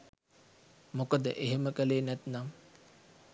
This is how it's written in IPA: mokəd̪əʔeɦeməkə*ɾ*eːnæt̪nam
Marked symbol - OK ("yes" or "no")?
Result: no